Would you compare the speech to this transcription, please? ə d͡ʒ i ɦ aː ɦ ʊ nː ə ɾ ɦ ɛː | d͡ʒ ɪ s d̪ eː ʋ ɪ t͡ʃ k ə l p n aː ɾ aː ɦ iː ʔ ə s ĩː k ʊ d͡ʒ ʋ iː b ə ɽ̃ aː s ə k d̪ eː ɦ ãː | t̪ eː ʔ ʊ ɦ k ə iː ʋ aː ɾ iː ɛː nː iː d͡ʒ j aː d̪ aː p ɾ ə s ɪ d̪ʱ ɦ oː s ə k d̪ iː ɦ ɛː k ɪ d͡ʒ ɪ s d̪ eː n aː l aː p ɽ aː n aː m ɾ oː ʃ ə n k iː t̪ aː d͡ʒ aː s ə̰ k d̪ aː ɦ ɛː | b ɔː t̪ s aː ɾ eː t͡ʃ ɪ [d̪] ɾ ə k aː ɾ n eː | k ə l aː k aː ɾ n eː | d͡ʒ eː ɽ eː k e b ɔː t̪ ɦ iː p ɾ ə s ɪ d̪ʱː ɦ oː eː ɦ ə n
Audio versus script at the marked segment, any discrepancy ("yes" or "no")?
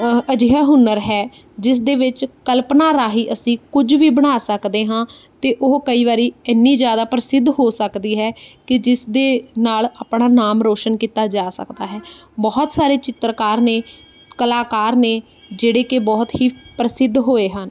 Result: yes